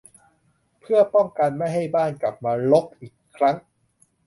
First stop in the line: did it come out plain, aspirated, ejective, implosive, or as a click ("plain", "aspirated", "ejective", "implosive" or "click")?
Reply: aspirated